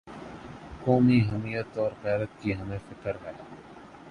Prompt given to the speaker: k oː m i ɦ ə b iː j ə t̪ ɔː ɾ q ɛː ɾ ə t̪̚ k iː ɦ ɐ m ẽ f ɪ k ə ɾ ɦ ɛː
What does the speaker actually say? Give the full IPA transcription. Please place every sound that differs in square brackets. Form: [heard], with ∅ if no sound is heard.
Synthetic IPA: k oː m i ɦ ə [m] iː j ə t̪ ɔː ɾ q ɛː ɾ ə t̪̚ k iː ɦ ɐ m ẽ f ɪ k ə ɾ ɦ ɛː